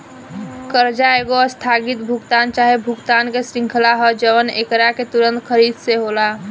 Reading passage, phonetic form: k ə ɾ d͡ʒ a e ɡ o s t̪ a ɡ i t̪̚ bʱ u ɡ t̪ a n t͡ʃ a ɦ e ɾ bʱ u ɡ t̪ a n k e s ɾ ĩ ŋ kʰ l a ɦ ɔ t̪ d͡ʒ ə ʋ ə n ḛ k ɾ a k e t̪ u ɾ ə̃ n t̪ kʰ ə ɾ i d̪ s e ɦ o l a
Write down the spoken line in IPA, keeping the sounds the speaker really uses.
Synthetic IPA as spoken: k ə ɾ d͡ʒ a e ɡ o s t̪ʰ a ɡ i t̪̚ bʱ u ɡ t̪ a n t͡ʃ a ɦ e bʱ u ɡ t̪ a n k e s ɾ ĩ ŋ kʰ l a ɦ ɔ d͡ʒ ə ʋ ə n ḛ k ɾ a k e t̪ u ɾ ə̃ n t̪ kʰ ə ɾ i d̪ s e ɦ o l a